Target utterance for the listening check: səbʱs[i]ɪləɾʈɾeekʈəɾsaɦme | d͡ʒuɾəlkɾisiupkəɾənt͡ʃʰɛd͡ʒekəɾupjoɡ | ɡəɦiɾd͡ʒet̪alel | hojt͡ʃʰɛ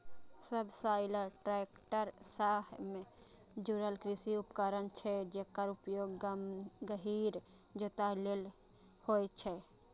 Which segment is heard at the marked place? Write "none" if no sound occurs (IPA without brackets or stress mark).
a